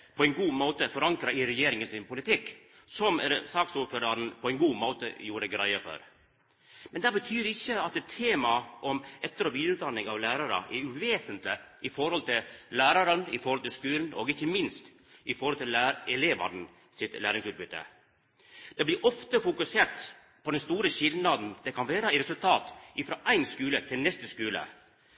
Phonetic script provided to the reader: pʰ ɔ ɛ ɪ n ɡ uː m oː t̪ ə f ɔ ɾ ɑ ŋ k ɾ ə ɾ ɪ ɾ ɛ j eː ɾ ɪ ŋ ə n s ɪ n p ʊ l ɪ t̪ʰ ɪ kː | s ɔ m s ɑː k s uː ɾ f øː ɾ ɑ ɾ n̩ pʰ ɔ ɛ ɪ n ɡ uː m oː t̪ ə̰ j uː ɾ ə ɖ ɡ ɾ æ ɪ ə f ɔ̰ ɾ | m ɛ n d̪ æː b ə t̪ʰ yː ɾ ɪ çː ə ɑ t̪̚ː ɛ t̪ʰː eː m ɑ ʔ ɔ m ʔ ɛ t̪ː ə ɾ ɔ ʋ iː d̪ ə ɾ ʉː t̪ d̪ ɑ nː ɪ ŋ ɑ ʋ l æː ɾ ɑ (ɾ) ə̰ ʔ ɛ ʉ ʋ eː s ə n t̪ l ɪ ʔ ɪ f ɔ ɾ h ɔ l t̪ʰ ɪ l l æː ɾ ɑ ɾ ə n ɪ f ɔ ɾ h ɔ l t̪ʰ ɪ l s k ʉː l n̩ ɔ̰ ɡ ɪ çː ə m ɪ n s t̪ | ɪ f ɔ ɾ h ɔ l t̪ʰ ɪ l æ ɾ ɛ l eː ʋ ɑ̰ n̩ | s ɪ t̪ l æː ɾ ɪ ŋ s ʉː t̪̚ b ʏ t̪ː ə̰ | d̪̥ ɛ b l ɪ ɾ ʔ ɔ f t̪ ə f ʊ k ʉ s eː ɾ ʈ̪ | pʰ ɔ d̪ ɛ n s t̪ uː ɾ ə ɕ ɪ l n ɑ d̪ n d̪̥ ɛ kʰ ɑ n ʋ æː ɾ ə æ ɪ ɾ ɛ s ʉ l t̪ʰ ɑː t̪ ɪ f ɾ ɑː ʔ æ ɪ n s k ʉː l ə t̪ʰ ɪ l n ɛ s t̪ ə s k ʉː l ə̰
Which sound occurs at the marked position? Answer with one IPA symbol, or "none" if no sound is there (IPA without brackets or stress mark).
ɾ